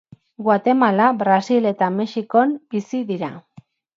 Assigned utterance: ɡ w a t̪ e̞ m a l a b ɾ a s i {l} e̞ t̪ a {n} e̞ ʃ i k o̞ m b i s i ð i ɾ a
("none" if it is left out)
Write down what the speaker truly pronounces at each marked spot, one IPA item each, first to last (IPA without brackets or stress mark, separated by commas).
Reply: l, m